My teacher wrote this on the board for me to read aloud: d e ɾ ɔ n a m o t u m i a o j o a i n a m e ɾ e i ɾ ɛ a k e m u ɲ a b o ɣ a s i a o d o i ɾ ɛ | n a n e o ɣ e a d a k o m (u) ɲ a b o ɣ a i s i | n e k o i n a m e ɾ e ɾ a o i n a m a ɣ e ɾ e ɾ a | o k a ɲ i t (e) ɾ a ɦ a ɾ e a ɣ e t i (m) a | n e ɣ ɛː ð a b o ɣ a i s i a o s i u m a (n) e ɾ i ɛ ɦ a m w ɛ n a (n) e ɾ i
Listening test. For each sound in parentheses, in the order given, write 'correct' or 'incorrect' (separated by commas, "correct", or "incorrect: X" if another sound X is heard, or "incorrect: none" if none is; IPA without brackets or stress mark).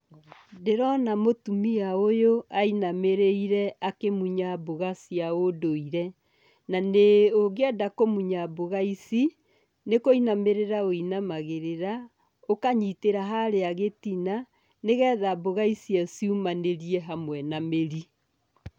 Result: correct, correct, incorrect: n, correct, incorrect: m